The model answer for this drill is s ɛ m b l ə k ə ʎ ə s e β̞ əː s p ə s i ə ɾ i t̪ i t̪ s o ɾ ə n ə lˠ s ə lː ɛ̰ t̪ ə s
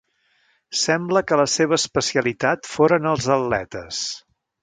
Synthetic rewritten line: s ɛ m b l ə k ə l ə s e β̞ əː s p ə s i ə l i t̪ a t̪ f o ɾ ə n ə lˠ z ə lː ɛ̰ t̪ ə s